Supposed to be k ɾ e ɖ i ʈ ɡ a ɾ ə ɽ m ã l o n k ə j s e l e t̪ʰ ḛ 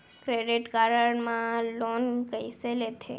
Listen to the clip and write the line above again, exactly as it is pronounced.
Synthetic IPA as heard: k ɾ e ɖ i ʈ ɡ a ɾ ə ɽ m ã l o n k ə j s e l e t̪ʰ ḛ